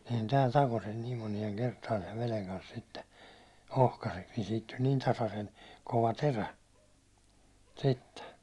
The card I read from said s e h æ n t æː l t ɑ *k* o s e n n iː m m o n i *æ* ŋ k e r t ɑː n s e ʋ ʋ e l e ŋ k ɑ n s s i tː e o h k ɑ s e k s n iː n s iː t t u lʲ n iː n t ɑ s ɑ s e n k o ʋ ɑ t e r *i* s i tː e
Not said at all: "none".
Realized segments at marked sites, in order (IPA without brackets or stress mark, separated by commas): k, e, æ